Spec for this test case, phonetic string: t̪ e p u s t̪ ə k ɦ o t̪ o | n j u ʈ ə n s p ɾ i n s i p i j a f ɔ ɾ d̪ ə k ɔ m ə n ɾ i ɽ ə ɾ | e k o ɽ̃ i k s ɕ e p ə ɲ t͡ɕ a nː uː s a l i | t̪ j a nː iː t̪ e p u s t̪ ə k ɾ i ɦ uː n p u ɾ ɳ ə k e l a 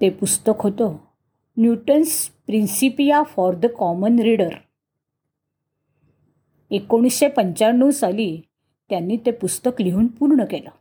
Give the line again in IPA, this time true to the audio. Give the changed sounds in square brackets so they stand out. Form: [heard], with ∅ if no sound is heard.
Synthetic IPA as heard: t̪ e p u s t̪ ə k ɦ o t̪ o | n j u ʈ ə n s p ɾ i n s i p i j a f ɔ ɾ d̪ ə k ɔ m ə n ɾ i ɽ ə ɾ | e k o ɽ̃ i [∅] s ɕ e p ə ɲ t͡ɕ a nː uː s a l i | t̪ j a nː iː t̪ e p u s t̪ ə k [l] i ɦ uː n p u ɾ ɳ ə k e l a